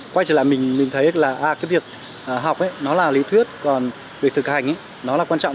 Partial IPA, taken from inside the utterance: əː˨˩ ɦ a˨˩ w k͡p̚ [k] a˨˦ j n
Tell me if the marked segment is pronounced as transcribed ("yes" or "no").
no